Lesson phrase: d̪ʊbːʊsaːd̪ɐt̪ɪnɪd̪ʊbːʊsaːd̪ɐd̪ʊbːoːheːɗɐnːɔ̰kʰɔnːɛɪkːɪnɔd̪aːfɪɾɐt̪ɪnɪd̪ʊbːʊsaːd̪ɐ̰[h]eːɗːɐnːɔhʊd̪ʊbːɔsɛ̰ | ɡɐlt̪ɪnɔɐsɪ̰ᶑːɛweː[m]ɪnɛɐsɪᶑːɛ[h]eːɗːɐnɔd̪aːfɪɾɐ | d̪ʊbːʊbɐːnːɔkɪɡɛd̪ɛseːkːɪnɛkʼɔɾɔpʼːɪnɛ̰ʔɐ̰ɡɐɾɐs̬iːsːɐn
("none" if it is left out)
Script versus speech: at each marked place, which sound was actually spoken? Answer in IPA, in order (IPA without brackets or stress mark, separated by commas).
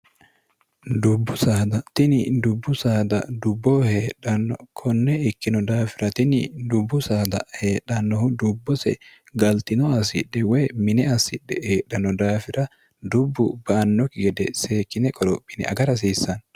h, m, h